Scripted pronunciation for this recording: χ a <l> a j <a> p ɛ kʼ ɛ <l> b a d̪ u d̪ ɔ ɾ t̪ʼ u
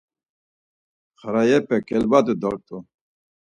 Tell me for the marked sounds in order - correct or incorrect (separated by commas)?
incorrect, incorrect, correct